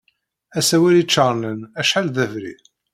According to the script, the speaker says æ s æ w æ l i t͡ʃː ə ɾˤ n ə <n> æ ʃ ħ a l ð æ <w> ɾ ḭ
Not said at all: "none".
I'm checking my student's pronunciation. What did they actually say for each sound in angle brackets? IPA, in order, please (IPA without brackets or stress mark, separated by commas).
n, v